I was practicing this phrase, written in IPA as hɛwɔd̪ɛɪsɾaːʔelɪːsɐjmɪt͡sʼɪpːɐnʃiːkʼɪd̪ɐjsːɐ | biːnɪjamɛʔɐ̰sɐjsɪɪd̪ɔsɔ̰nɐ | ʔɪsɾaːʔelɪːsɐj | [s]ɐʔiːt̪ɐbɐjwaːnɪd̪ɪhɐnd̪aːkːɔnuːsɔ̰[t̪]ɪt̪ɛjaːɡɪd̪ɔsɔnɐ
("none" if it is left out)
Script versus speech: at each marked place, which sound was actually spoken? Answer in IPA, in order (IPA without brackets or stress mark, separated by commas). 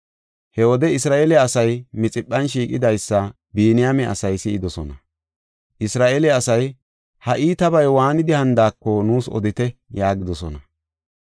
h, d̪